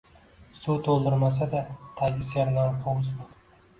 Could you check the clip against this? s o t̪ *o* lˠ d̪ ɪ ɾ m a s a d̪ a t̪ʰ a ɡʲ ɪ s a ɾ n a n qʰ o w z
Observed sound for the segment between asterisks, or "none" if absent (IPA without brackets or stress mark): o